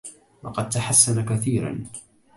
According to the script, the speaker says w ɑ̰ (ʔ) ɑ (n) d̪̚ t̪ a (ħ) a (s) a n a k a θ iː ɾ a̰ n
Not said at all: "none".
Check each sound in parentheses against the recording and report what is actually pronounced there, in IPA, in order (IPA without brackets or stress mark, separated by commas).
q, none, ħ, sː